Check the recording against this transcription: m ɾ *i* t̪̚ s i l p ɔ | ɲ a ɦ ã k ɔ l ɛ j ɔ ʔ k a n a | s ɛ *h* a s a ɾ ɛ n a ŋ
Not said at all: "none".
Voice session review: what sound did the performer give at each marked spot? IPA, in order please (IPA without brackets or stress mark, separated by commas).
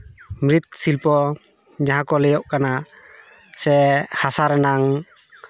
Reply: i, h